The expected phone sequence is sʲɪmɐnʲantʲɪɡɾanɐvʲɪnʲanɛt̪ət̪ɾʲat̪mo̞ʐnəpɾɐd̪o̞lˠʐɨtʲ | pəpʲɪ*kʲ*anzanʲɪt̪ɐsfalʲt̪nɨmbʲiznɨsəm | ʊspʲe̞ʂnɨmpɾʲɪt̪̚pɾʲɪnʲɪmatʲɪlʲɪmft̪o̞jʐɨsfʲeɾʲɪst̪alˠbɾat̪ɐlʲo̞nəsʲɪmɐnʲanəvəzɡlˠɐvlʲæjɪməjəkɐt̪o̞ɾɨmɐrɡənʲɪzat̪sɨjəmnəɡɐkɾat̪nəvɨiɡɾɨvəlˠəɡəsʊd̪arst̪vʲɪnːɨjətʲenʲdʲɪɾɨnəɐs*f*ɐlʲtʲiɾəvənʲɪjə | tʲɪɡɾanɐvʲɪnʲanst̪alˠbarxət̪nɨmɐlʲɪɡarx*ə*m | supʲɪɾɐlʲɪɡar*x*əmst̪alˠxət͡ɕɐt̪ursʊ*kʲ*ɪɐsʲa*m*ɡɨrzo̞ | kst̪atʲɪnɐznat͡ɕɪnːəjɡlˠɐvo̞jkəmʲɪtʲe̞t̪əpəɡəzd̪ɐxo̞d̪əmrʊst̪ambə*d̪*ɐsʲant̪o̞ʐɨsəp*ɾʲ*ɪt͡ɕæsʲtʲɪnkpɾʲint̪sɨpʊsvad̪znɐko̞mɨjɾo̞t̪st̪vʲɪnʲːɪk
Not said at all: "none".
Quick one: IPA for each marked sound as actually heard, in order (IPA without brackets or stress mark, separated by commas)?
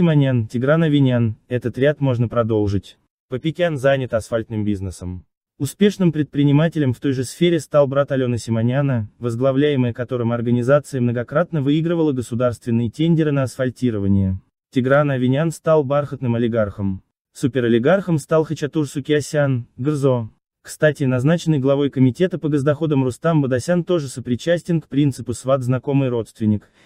kʲ, f, ə, x, kʲ, n, d̪, ɾʲ